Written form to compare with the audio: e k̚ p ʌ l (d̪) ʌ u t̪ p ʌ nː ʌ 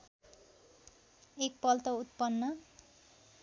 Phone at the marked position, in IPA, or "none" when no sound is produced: t̪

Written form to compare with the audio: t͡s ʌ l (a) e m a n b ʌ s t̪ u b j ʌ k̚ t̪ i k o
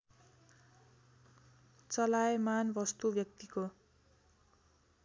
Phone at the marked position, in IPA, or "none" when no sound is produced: a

